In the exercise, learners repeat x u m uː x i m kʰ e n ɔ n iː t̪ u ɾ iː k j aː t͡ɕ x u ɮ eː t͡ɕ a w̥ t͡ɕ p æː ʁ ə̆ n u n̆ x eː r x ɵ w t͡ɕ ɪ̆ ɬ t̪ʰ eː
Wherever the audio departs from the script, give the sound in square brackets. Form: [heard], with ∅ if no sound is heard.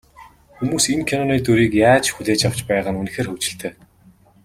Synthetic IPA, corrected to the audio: x u m uː [s] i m kʰ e n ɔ n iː t̪ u ɾ iː k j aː t͡ɕ x u ɮ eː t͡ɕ a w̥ t͡ɕ p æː ʁ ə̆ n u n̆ x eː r x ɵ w t͡ɕ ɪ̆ ɬ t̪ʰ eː